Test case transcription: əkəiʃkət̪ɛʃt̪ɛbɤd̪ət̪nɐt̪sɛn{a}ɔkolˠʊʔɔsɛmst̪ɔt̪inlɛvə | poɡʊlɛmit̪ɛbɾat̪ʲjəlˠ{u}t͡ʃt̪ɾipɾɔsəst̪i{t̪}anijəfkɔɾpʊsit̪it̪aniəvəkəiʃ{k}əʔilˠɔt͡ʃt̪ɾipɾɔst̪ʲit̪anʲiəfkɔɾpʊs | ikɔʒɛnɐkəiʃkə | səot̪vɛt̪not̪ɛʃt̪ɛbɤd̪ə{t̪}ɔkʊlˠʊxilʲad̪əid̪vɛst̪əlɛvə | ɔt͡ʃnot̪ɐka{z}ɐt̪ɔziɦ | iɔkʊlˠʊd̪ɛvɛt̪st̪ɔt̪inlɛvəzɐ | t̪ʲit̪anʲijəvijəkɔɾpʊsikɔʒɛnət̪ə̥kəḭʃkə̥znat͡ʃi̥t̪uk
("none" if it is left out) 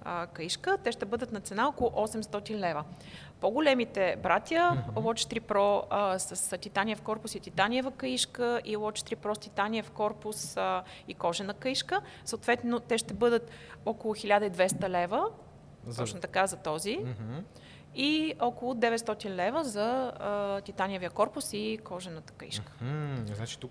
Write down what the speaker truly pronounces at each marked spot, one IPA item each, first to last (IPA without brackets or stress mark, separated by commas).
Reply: a, ɔ, t̪, k, t̪, z